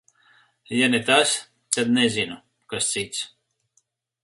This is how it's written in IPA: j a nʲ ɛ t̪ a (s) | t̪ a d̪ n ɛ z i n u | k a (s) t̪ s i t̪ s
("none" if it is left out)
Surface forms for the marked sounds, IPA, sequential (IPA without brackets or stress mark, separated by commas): s, s